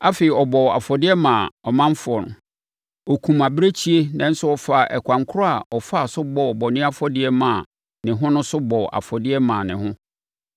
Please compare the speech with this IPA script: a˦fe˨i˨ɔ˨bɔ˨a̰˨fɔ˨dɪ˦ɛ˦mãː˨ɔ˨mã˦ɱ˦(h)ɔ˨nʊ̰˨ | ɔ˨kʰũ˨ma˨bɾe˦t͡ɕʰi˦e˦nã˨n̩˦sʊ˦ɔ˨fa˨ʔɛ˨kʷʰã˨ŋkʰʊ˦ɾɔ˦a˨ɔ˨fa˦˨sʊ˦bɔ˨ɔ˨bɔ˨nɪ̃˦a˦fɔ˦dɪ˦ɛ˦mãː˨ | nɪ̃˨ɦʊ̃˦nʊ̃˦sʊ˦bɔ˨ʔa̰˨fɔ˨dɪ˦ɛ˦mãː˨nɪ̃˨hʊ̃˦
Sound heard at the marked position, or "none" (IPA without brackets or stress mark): f